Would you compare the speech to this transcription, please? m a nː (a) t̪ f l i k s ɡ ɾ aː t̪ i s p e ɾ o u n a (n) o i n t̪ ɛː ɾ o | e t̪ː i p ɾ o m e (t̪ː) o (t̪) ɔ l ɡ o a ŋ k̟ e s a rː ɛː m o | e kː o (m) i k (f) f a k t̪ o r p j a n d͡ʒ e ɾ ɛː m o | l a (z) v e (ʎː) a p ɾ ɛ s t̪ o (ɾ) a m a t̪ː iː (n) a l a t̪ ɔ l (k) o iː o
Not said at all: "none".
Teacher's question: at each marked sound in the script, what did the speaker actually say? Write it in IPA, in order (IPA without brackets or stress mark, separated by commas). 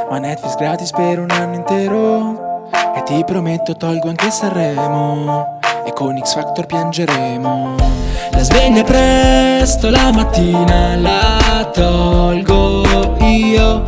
ɛ, nː, t̪ː, t̪, n, s, z, ʎː, l, n, ɡ